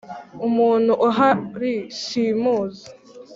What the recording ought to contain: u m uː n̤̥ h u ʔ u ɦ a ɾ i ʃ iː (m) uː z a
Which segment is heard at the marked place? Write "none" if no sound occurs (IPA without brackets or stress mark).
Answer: m